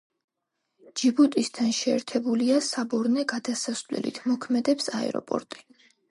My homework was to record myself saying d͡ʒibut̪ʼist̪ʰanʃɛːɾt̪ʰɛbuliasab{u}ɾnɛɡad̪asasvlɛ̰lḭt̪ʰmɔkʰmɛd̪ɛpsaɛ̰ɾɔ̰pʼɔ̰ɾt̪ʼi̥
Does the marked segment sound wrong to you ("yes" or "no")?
yes